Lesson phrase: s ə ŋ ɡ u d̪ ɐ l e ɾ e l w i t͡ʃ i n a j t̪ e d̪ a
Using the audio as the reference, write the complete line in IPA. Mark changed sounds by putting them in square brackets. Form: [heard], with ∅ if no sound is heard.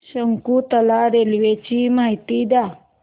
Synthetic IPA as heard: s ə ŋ [k] u [t̪] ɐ l [a] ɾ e l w [e] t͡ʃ i [m] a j t̪ [i] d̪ a